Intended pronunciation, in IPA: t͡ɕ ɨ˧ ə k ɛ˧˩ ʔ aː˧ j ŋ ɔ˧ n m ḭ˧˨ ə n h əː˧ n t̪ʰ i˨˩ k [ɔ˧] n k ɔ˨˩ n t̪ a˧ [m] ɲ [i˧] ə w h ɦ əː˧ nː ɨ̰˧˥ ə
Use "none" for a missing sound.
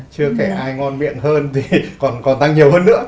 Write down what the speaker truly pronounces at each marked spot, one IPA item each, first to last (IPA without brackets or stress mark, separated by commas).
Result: ɔ˨˩, ŋ, i˨˩